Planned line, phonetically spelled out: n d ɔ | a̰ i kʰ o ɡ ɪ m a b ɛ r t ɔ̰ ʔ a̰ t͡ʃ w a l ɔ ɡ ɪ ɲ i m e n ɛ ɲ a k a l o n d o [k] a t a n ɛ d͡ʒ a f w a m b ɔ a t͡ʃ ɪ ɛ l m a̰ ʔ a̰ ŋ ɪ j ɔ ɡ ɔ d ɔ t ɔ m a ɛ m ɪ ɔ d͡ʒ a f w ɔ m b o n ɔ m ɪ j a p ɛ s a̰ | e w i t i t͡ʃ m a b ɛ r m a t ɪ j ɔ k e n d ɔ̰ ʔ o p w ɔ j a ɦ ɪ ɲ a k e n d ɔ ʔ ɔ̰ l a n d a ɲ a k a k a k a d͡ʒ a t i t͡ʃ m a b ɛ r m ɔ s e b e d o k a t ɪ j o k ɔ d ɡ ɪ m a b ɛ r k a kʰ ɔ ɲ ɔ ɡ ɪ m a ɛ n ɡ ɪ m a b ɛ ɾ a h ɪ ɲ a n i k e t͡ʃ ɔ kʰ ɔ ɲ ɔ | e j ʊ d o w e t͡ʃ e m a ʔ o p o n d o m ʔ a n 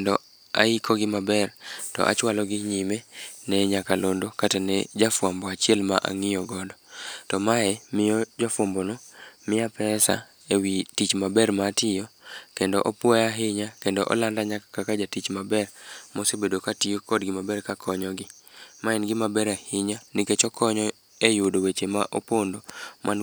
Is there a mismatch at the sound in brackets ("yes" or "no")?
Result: no